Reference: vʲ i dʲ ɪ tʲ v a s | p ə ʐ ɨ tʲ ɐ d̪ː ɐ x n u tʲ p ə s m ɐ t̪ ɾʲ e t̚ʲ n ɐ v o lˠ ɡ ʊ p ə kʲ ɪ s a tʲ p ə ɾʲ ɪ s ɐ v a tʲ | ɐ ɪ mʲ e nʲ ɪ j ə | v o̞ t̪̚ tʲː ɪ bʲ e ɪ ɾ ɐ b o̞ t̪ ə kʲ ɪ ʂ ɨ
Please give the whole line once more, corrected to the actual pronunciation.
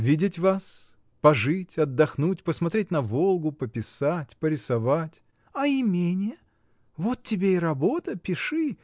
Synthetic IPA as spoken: vʲ i dʲ ɪ tʲ v a s | p ɐ ʐ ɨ tʲ ɐ d̪ː ɐ x n u tʲ p ə s m ɐ t̪ ɾʲ e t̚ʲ n ɐ v o lˠ ɡ ʊ p ə pʲ ɪ s a tʲ p ə ɾʲ ɪ s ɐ v a tʲ | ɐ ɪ mʲ e nʲ ɪ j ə | v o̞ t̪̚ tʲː ɪ bʲ e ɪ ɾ ɐ b o̞ t̪ ə pʲ ɪ ʂ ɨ

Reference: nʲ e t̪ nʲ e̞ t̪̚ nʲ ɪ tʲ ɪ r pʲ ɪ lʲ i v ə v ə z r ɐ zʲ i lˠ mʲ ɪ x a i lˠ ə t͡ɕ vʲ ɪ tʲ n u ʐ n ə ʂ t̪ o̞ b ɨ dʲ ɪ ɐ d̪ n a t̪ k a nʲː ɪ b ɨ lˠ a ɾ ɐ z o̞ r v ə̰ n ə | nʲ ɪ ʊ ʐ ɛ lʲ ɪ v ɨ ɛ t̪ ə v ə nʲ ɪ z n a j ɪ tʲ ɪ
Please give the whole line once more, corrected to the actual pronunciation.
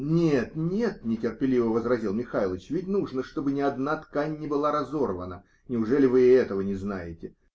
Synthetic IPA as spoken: nʲ e t̪ nʲ e̞ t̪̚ nʲ ɪ tʲ ɪ r pʲ ɪ lʲ i v ə v ə z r ɐ zʲ i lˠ mʲ ɪ x a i lˠ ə t͡ɕ vʲ ɪ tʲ n u ʐ n ə ʂ t̪ o̞ b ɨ nʲ ɪ ɐ d̪ n a t̪ k a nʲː ɪ b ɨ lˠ a ɾ ɐ z o̞ r v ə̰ n ə | nʲ ɪ ʊ ʐ ɛ lʲ ɪ v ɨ ɛ t̪ ə v ə nʲ ɪ z n a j ɪ tʲ ɪ

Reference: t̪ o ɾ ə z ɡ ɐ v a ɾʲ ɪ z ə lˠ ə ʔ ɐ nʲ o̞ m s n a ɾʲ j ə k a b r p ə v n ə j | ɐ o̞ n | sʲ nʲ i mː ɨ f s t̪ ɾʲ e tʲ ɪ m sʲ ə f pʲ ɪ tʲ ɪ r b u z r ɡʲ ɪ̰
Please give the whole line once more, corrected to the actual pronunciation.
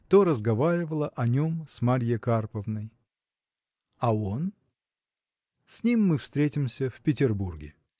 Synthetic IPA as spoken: t̪ o ɾ ə z ɡ ɐ v a ɾʲ ɪ v ə lˠ ə ʔ ɐ nʲ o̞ m s m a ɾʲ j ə k a r p ə v n ə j | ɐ o̞ n | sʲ nʲ i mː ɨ f s t̪ ɾʲ e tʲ ɪ m sʲ ə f pʲ ɪ tʲ ɪ r b u r ɡʲ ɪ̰

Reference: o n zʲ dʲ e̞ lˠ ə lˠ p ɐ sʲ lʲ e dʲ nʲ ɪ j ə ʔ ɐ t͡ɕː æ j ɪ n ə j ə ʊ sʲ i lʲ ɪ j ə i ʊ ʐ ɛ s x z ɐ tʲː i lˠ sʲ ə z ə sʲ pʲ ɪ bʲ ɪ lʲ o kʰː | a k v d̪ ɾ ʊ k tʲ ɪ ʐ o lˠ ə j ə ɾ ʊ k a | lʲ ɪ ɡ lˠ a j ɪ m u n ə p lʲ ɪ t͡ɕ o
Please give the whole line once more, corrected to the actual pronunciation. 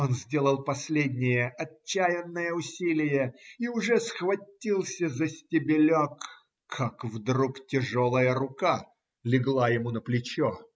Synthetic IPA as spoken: o n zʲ dʲ e̞ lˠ ə lˠ p ɐ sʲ lʲ e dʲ nʲ ɪ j ə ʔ ɐ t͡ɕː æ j ɪ nː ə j ə ʊ sʲ i lʲ ɪ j ə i ʊ ʐ ɛ s x v ɐ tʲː i lˠ sʲ ə z ə sʲ tʲ ɪ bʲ ɪ lʲ o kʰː | a k v d̪ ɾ u k tʲ ɪ ʐ o lˠ ə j ə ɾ ʊ k a | lʲ ɪ ɡ lˠ a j ɪ m u n ə p lʲ ɪ t͡ɕ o

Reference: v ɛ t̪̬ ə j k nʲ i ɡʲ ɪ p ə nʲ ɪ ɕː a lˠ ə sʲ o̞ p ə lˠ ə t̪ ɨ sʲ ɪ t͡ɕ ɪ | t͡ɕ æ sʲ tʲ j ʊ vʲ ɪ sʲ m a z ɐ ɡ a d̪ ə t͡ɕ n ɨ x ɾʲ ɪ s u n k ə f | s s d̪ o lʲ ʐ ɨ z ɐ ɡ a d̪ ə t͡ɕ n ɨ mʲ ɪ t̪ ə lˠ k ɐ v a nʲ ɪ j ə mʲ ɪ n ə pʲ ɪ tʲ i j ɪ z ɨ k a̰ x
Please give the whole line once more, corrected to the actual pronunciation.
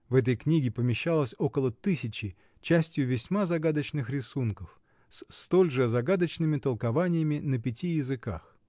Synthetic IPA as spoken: v ɛ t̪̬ ə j k nʲ i ɡʲ ɪ p ə mʲ ɪ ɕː a lˠ ə sʲ o̞ k ə lˠ ə t̪ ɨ sʲ ɪ t͡ɕ ɪ | t͡ɕ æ sʲ tʲ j ʊ vʲ ɪ sʲ m a z ɐ ɡ a d̪ ə t͡ɕ n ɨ x ɾʲ ɪ s u n k ə f | s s t̪ o lʲ ʐ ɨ z ɐ ɡ a d̪ ə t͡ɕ n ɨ mʲ ɪ t̪ ə lˠ k ɐ v a nʲ ɪ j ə mʲ ɪ n ə pʲ ɪ tʲ i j ɪ z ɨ k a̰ x

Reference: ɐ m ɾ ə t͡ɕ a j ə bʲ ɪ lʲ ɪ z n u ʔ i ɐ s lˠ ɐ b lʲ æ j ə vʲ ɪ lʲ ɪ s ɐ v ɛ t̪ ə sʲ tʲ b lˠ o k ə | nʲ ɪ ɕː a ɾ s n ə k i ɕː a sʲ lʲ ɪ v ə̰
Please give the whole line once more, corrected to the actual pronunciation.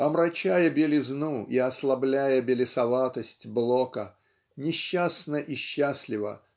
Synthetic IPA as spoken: ɐ m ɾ ɐ t͡ɕ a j ə bʲ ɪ lʲ ɪ z n u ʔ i ɐ s lˠ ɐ b lʲ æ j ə bʲ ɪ lʲ ɪ s ɐ v a t̪ ə sʲ tʲ b lˠ o k ə | nʲ ɪ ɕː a s n ə ʔ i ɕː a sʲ lʲ ɪ v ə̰

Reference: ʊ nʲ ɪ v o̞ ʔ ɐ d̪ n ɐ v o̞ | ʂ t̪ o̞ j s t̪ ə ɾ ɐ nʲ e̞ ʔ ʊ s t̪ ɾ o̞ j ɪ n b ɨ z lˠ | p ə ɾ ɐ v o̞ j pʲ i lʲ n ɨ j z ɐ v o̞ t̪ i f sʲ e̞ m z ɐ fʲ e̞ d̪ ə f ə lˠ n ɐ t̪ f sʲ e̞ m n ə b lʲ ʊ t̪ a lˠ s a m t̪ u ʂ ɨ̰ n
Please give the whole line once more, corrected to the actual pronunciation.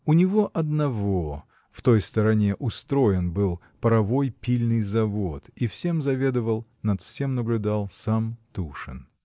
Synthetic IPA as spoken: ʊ nʲ ɪ v o̞ ʔ ɐ d̪ n ɐ v o̞ | f t̪ o̞ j s t̪ ə ɾ ɐ nʲ e̞ ʔ ʊ s t̪ ɾ o̞ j ɪ n b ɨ lˠ | p ə ɾ ɐ v o̞ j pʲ i lʲ n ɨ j z ɐ v o̞ t̪ i f sʲ e̞ m z ɐ vʲ e̞ d̪ ə v ə lˠ n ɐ t̪ f sʲ e̞ m n ə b lʲ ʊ d̪ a lˠ s a m t̪ u ʂ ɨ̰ n

